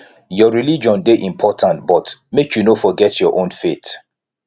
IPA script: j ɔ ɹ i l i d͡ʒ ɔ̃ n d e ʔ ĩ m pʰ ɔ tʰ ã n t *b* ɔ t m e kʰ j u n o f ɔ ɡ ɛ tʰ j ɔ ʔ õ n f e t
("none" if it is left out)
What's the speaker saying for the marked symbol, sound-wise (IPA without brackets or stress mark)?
b